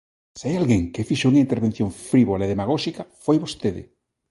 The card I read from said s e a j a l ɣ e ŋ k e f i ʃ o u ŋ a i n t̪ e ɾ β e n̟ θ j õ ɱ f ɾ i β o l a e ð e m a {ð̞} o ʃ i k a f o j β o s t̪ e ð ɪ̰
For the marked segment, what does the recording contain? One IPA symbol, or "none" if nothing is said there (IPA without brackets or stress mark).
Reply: ɣ̞